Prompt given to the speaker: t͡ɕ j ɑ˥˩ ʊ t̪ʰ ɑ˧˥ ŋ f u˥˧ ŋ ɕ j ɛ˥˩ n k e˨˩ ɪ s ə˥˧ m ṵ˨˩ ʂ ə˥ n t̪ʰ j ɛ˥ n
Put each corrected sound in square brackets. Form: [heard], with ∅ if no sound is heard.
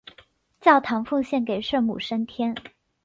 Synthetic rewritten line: t͡ɕ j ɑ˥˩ ʊ t̪ʰ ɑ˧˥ ŋ f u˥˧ ŋ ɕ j ɛ˥˩ n k e˨˩ ɪ [ʂ] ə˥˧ m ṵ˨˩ ʂ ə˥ n t̪ʰ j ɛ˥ n